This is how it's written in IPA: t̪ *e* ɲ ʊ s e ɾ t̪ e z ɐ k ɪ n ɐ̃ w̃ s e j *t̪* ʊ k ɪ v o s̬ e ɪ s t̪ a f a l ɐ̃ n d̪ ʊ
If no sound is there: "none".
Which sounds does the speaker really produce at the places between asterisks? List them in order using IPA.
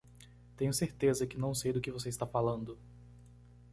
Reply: ẽ, d̪

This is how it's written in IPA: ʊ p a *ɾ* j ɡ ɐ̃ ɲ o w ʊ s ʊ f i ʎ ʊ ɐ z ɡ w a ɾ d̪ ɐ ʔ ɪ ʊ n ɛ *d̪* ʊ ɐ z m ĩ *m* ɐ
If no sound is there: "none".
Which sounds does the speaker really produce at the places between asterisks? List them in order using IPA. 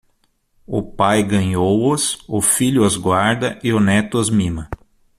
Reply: none, t̪, m

